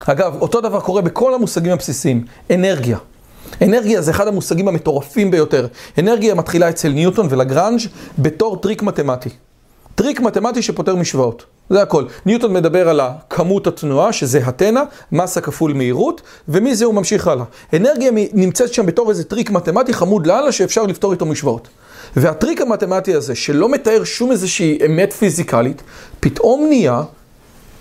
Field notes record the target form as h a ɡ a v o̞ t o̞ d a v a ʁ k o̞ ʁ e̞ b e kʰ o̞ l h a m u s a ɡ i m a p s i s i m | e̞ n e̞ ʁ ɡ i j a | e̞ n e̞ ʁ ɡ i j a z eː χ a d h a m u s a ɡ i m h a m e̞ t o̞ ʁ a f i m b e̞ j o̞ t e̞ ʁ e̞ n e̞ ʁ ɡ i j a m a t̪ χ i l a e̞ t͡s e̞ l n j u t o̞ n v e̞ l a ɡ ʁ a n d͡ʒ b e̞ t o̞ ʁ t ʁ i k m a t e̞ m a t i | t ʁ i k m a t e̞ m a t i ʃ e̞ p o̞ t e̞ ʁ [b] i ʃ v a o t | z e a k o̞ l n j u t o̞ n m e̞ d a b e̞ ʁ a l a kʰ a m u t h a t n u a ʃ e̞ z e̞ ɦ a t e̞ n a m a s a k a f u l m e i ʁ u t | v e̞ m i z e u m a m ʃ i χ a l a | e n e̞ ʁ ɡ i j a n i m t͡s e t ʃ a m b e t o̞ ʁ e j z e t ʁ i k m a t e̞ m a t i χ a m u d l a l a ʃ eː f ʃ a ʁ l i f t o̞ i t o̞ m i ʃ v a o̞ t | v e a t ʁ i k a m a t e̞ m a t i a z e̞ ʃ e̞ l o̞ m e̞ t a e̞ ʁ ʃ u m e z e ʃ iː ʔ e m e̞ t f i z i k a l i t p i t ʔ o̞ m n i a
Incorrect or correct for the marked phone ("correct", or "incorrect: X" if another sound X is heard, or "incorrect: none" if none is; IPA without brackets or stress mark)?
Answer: incorrect: m